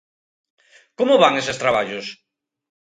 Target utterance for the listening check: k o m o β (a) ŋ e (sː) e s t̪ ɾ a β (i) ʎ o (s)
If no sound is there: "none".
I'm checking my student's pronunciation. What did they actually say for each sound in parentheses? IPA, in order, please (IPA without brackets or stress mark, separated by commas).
a, s, a, s